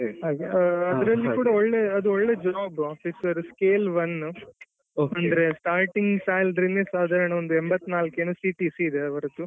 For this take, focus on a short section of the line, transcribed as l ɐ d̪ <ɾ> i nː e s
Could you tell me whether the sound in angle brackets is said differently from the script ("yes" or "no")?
no